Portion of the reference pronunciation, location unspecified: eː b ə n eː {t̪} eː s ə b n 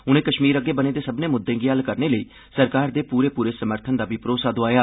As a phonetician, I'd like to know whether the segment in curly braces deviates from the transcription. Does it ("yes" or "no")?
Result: yes